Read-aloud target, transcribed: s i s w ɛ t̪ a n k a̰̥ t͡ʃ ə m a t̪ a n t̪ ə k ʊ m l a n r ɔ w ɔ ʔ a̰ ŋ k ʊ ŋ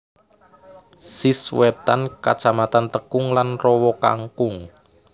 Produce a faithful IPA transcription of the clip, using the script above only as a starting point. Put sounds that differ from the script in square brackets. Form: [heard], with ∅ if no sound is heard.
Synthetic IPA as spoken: s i s w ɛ t̪ a n k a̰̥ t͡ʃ [a] m a t̪ a n t̪ ə k ʊ [ŋ] l a n r ɔ w ɔ [k] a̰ ŋ k ʊ ŋ